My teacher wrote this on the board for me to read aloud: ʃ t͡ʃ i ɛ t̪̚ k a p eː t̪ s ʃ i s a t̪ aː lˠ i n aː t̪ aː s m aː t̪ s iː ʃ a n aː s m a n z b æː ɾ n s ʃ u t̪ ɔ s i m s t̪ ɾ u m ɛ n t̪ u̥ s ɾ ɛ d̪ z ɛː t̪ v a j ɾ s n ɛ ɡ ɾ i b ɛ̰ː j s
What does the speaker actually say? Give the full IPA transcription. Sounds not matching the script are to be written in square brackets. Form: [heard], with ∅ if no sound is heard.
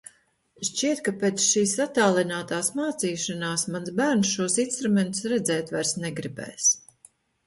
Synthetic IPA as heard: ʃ t͡ʃ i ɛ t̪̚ k a p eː t̪ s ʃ [iː] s a t̪ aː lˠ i n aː t̪ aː s m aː t̪ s iː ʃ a n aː s m a n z b æː ɾ n s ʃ u [∅] ɔ s i [n] s t̪ ɾ u m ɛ n t̪ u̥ s ɾ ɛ d̪ z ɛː t̪ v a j ɾ s n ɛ ɡ ɾ i b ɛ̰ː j s

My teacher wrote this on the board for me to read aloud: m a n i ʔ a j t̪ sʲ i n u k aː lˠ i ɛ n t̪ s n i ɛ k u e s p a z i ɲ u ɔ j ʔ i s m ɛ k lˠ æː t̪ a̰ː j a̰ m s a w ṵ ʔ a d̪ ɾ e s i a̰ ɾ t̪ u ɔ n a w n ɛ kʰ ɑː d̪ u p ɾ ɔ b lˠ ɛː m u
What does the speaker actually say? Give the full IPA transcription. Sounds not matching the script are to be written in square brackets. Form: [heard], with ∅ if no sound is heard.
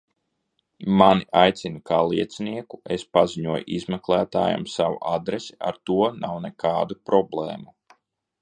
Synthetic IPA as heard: m a n i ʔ a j t̪ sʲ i n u k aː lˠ i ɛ [∅] t̪ s n i ɛ k u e s p a z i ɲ u ɔ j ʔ i [z] m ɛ k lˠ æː t̪ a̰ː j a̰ m s a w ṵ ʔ a d̪ ɾ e s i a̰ ɾ t̪ u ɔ n a w n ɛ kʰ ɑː d̪ u p ɾ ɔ b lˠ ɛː m u

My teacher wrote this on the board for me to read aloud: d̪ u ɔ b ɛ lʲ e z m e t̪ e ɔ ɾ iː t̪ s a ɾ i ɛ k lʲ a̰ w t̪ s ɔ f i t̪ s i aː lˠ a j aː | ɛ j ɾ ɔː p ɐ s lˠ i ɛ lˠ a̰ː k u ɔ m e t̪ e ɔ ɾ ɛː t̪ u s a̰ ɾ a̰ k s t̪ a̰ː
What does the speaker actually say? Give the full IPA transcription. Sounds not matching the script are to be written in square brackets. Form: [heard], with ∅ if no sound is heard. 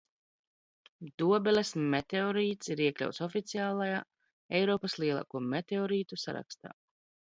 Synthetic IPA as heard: d̪ u ɔ b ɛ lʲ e [s] m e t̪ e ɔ ɾ iː t̪ s [i] ɾ i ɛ k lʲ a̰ w t̪ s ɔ f i t̪ s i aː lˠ a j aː | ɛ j ɾ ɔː p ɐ s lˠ i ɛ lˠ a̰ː k u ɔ m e t̪ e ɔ ɾ [iː] t̪ u s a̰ ɾ a̰ k s t̪ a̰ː

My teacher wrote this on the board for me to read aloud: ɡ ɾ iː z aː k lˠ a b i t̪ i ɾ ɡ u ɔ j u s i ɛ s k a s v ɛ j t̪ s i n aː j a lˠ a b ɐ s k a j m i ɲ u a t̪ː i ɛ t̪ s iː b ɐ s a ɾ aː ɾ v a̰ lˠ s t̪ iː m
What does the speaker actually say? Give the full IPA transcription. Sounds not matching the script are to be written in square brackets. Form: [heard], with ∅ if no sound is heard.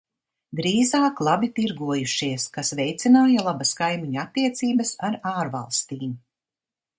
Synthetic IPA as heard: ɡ ɾ iː z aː k lˠ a b i t̪ i ɾ ɡ u ɔ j u [ʃ] i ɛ s k a s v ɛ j t̪ s i n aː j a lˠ a b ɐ s k a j m i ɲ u a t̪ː i ɛ t̪ s iː b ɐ s a ɾ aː ɾ v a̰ lˠ s t̪ iː m

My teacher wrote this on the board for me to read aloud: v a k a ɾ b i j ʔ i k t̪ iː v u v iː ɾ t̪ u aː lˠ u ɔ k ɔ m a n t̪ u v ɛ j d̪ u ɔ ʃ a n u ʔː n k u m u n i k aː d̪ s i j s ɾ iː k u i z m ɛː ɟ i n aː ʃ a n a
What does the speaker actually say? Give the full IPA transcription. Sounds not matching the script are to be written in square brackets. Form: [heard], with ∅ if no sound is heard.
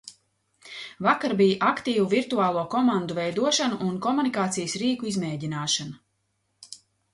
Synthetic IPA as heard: v a k a ɾ b i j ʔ [a] k t̪ iː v u v [i] ɾ t̪ u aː lˠ u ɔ k ɔ m a n [d̪] u v ɛ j d̪ u ɔ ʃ a n u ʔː n k [ɔ] m u n i k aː [t̪] s i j s ɾ iː k u i z m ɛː ɟ i n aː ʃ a n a

